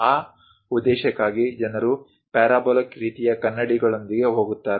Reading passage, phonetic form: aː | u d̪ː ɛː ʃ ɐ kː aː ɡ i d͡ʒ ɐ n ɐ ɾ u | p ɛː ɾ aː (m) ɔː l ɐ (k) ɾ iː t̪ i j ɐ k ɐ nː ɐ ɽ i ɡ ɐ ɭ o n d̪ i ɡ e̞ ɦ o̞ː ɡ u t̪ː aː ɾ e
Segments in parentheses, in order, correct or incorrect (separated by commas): incorrect, correct